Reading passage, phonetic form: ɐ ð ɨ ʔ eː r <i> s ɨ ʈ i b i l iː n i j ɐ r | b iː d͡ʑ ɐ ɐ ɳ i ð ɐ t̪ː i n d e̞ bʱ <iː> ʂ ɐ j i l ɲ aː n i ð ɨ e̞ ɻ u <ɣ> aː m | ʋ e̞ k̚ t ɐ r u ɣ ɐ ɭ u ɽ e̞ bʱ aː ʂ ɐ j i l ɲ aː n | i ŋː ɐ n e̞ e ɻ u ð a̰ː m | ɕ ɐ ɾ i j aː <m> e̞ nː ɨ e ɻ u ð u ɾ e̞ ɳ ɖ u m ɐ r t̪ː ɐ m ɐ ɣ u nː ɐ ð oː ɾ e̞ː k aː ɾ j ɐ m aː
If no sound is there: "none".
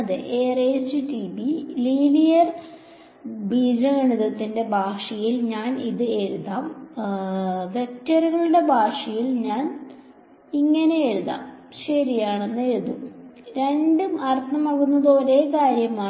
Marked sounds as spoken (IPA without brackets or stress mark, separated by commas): e, aː, ð, ɳ